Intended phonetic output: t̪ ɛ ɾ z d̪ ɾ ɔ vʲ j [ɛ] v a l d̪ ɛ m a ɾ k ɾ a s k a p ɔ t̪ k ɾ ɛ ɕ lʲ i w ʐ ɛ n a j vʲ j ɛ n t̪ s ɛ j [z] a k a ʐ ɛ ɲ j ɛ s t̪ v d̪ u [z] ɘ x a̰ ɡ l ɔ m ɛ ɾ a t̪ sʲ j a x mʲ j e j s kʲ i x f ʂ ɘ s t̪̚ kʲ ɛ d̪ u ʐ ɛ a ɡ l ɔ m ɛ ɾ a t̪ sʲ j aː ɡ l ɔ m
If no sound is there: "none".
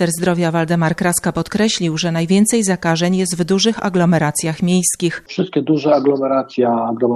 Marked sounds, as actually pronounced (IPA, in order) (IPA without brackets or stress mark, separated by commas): a, z, ʐ